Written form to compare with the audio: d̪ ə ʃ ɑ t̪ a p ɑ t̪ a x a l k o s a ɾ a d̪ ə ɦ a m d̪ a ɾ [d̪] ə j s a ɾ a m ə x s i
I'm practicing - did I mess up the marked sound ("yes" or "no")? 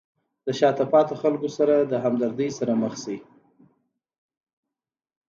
no